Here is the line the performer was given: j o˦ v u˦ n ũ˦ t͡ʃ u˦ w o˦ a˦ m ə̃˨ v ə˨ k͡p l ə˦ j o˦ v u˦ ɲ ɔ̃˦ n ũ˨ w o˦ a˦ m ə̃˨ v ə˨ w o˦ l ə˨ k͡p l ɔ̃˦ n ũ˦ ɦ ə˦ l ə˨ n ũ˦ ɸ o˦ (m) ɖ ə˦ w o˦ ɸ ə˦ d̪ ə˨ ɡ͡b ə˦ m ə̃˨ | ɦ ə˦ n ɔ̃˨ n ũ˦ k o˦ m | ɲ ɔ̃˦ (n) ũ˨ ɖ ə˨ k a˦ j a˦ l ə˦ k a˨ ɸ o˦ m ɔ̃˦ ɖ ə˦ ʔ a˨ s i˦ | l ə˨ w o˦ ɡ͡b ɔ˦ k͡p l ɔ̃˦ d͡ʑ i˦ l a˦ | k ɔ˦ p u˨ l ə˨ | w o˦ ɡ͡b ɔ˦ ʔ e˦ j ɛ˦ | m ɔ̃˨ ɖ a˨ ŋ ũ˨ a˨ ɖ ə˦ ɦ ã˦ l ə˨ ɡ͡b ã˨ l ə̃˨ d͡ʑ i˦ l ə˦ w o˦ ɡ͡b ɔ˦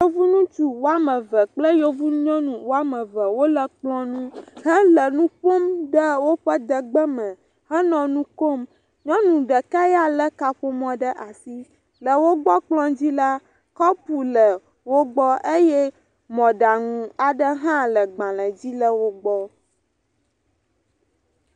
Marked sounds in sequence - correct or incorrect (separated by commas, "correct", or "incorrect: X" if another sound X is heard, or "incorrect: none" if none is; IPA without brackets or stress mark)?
correct, correct